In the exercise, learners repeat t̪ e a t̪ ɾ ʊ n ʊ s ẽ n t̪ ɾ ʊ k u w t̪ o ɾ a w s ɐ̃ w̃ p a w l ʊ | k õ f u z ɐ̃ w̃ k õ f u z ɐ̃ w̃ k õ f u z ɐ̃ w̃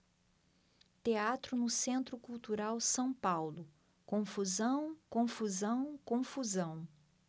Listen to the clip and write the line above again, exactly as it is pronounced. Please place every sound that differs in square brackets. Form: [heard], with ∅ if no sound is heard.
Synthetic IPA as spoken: t̪ e a t̪ ɾ ʊ n ʊ s ẽ n t̪ ɾ ʊ k u w t̪ [u] ɾ a w s ɐ̃ w̃ p a w l ʊ | k õ f u z ɐ̃ w̃ k õ f u z ɐ̃ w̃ k õ f u z ɐ̃ w̃